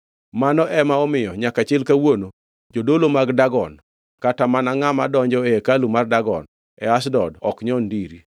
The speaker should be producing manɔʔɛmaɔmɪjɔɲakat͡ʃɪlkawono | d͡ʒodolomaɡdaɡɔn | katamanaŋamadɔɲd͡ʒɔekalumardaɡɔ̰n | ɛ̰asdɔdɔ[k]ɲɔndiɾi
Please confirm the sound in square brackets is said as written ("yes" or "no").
yes